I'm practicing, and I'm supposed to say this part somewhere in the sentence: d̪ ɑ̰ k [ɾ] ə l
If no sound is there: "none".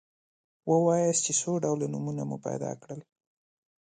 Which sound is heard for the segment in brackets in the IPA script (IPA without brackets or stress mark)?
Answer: ɽ